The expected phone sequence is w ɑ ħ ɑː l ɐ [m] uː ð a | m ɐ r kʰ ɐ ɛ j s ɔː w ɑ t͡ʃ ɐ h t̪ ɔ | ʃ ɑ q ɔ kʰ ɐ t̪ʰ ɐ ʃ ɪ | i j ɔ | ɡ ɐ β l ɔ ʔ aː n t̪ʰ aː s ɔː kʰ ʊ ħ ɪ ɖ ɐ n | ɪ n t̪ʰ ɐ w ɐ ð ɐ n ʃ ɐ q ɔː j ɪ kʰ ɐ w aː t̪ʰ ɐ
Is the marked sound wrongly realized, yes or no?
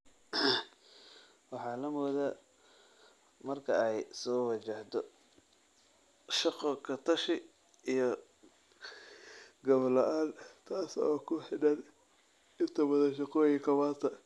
no